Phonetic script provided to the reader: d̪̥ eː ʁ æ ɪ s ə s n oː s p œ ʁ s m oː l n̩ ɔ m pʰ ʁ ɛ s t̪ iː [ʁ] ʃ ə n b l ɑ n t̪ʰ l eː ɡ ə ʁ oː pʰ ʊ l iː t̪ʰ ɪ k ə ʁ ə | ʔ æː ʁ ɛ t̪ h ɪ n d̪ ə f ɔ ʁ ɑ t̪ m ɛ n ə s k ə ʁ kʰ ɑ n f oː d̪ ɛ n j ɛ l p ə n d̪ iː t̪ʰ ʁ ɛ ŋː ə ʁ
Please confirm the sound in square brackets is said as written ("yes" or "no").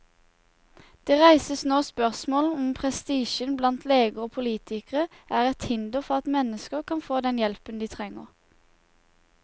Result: no